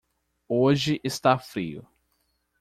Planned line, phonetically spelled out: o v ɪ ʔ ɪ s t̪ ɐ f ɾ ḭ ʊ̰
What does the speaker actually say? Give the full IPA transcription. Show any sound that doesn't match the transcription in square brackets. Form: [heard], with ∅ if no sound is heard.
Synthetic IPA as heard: o [ʒ] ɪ ʔ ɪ s t̪ [a] f ɾ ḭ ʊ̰